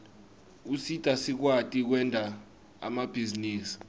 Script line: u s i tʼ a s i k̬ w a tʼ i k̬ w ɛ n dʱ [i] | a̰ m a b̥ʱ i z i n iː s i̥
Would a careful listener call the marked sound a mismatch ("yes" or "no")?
yes